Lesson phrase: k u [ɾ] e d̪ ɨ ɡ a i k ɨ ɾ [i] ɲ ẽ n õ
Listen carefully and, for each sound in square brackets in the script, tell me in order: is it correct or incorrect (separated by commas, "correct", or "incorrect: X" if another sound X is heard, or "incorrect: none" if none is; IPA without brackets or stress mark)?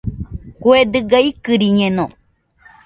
incorrect: none, correct